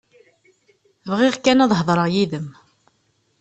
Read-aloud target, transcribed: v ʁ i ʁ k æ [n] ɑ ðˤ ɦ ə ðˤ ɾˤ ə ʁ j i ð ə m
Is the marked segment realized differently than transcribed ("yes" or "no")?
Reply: no